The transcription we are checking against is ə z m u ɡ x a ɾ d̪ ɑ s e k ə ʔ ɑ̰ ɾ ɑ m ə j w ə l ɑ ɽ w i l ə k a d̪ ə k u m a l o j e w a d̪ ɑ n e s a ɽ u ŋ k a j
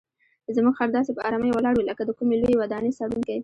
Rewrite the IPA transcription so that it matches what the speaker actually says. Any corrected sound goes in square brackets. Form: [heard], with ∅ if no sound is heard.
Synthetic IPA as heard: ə z m u ɡ x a ɾ d̪ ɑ s e [p] ə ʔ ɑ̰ ɾ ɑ m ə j w ə l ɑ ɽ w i l ə k a d̪ ə k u m [e] l o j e w a d̪ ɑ n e s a ɽ u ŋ k a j